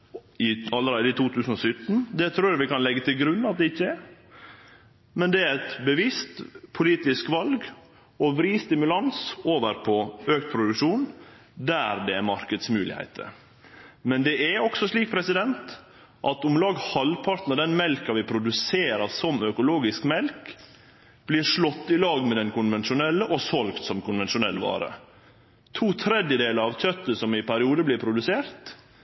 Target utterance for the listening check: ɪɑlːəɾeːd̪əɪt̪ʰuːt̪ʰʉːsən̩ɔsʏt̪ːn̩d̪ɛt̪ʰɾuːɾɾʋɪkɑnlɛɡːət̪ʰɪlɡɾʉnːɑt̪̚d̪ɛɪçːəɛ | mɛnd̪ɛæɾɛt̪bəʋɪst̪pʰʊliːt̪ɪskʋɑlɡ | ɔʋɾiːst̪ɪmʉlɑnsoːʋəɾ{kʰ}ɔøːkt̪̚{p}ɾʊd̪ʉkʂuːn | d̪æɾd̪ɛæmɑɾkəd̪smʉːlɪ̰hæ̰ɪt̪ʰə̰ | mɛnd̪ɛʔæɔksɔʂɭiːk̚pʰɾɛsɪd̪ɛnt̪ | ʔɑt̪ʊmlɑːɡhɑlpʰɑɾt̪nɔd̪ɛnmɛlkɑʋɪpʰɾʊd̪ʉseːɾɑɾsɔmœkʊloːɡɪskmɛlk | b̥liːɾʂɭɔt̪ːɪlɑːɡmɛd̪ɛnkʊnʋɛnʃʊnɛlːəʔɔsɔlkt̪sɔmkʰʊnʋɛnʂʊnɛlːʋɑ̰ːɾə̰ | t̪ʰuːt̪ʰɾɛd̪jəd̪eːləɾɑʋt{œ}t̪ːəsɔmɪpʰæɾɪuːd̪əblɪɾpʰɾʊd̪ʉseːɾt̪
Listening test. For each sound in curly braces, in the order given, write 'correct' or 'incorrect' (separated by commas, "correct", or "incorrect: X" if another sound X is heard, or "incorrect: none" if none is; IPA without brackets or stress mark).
incorrect: pʰ, incorrect: pʰ, correct